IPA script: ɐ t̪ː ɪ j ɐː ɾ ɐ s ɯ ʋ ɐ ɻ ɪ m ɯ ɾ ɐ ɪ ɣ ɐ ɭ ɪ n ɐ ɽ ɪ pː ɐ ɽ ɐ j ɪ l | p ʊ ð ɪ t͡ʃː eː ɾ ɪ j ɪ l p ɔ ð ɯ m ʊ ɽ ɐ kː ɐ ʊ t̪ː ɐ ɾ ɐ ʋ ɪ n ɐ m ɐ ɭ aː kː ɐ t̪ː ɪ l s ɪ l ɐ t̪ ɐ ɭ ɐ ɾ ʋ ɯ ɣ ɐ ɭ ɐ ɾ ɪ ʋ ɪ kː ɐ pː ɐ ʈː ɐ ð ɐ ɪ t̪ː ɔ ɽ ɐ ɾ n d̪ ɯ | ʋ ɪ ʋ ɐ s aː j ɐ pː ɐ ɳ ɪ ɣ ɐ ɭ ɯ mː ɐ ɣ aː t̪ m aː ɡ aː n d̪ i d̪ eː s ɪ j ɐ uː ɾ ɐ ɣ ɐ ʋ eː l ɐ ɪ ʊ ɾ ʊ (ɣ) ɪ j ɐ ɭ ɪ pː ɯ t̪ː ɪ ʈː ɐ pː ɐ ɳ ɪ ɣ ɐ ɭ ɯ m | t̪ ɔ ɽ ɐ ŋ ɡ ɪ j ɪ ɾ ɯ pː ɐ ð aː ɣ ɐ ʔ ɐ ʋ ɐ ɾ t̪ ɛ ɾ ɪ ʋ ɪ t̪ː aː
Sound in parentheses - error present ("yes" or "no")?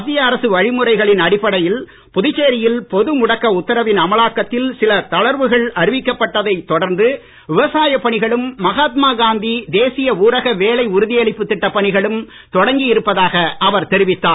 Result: yes